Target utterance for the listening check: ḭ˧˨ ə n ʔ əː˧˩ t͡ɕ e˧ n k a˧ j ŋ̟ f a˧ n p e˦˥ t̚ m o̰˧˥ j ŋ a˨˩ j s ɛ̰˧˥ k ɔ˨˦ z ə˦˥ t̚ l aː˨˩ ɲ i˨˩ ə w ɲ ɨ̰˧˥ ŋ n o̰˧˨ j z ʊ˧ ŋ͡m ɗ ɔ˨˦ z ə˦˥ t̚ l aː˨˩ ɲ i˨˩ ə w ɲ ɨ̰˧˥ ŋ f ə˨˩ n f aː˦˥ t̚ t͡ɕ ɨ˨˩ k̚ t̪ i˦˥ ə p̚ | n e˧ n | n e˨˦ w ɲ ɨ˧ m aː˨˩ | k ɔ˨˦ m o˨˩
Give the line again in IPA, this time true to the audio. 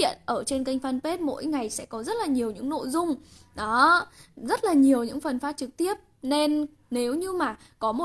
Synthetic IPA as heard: ḭ˧˨ ə n ʔ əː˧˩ t͡ɕ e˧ n k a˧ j ŋ̟ f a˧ n p e˦˥ t̚ m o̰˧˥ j ŋ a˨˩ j s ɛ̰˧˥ k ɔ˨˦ z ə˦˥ t̚ l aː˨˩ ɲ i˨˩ ə w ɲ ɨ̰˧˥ ŋ n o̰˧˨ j z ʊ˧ ŋ͡m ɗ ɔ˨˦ z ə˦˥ t̚ l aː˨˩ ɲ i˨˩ ə w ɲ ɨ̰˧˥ ŋ f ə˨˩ n f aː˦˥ t̚ t͡ɕ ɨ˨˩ k̚ t̪ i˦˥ ə p̚ | n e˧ n | n e˨˦ w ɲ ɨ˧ m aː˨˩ | k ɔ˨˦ m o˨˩